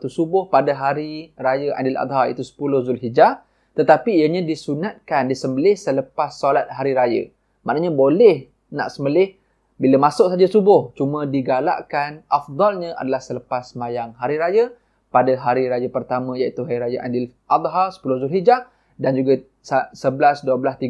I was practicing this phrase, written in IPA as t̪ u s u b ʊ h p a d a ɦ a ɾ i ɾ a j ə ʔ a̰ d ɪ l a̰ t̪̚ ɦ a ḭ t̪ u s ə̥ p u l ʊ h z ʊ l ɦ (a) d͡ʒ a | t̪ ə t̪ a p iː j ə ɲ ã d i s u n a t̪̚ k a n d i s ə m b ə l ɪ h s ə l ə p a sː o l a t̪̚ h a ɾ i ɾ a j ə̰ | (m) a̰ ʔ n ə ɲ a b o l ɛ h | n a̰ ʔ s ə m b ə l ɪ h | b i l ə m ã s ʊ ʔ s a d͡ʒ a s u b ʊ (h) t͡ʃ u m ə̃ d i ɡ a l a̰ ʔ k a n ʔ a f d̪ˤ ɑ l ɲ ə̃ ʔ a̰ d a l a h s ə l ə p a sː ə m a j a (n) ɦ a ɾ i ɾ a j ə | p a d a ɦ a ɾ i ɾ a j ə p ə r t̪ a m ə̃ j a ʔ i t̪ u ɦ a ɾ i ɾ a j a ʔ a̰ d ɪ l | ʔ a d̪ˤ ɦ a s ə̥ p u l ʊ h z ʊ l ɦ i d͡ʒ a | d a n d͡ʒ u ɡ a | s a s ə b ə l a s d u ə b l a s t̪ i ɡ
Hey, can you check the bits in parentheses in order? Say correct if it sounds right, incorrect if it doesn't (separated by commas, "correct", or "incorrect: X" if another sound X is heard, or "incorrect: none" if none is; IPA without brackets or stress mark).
incorrect: i, correct, correct, incorrect: ŋ